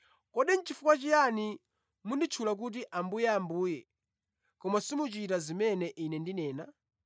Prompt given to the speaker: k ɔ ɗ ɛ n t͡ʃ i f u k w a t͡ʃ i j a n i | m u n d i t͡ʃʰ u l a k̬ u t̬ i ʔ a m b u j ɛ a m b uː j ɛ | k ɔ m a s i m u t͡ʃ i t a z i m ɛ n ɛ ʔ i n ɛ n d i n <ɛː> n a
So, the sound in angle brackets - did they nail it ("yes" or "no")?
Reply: yes